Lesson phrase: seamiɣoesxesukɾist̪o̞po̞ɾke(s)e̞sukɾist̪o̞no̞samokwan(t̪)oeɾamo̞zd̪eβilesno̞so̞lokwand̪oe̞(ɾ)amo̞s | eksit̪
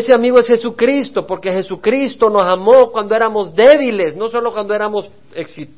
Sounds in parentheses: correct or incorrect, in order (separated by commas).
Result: incorrect, incorrect, correct